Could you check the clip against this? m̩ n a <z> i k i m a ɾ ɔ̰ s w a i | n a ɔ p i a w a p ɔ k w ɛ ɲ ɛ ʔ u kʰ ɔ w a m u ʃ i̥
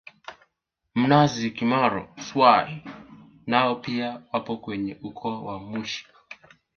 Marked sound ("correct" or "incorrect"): correct